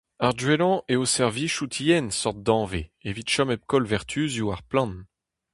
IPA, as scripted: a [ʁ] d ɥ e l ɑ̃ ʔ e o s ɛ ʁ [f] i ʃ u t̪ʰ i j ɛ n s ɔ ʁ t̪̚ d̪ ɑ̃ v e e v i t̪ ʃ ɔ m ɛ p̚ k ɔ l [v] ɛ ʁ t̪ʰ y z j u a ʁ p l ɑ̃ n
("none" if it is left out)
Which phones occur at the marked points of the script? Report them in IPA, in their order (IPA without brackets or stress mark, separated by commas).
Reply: ʁ, v, v